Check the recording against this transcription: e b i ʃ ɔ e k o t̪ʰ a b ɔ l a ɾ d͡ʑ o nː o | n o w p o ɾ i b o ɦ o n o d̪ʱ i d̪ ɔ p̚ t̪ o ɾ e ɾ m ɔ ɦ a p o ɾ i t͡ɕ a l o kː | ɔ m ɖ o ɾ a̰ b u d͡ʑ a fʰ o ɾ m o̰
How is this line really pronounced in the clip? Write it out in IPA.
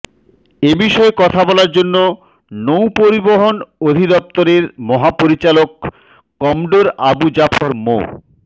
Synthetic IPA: e b i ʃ ɔ e k ɔ t̪ʰ a b ɔ l a ɾ d͡ʑ o nː o | n o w p o ɾ i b o ɦ o n o d̪ʱ i d̪ ɔ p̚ t̪ o ɾ e ɾ m ɔ ɦ a p o ɾ i t͡ɕ a l o kː | ɔ m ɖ o ɾ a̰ b u d͡ʑ a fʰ o ɾ m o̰